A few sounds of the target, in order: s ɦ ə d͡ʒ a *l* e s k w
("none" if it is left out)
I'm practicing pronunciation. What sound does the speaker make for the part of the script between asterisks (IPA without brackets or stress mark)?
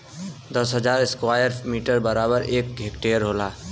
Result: ɾ